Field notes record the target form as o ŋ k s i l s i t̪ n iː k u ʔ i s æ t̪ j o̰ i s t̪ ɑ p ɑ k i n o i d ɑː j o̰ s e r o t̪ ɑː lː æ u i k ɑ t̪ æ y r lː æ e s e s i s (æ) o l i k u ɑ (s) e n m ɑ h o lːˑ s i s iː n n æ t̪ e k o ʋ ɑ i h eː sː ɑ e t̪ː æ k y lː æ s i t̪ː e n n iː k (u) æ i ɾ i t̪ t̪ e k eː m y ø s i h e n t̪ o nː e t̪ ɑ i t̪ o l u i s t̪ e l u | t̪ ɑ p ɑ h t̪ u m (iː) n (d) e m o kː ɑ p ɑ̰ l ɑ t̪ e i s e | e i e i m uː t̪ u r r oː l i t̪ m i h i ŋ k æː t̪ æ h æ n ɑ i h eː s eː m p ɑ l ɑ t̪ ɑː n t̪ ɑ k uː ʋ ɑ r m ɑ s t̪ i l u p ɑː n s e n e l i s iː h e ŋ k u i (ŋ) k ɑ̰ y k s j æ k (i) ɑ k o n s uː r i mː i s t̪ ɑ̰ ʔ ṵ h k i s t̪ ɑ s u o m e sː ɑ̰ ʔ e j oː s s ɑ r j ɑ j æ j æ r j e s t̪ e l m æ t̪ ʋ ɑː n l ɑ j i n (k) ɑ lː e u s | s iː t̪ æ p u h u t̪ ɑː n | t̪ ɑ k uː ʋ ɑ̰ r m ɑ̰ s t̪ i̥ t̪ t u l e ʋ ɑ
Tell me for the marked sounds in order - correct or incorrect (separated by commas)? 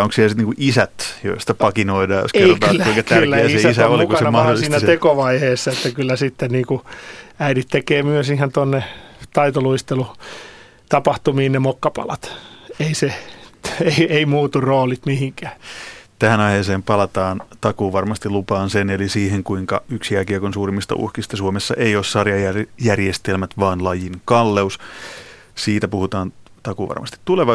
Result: correct, correct, correct, correct, incorrect, correct, correct, correct